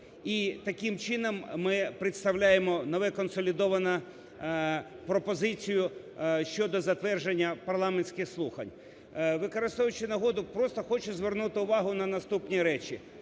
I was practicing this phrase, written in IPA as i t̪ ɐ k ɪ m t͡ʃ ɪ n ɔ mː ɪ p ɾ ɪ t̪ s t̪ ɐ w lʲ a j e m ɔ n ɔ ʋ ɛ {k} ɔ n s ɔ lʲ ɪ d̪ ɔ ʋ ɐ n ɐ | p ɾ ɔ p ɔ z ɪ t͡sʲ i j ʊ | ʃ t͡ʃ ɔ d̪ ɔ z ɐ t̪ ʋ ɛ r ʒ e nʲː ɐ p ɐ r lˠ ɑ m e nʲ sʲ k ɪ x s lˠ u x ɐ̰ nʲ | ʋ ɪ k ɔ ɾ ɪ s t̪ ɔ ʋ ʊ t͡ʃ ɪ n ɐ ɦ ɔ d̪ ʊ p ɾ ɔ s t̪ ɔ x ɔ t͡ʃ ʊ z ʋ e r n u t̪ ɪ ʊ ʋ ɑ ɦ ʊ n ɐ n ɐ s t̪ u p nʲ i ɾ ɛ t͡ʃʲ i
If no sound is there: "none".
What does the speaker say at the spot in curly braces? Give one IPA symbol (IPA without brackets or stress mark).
k